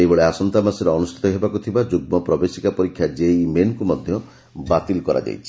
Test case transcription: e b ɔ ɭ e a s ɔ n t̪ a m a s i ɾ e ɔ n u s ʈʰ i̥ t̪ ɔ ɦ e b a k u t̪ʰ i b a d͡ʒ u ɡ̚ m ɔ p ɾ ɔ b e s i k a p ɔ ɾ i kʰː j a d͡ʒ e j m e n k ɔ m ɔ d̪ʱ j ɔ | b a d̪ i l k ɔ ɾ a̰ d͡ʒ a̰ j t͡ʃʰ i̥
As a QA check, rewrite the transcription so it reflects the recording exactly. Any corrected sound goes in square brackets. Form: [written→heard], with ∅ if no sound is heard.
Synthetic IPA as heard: e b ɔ ɭ e a s ɔ n t̪ a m a s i ɾ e ɔ n u s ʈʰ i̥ t̪ ɔ ɦ e b a k u t̪ʰ i b a d͡ʒ u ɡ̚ m ɔ p ɾ ɔ b e s i k a p ɔ ɾ i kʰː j a d͡ʒ e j m e n k [ɔ→u] m ɔ d̪ʱ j ɔ | b a [d̪→t̪] i l k ɔ ɾ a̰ d͡ʒ a̰ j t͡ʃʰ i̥